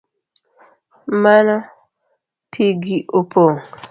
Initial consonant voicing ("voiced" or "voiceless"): voiced